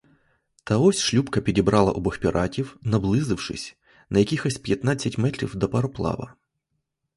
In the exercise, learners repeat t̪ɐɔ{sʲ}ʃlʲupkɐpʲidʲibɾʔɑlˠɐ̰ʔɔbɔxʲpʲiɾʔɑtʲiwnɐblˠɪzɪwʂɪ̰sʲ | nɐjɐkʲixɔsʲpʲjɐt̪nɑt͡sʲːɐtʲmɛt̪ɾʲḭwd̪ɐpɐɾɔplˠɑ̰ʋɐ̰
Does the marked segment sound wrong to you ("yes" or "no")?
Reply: no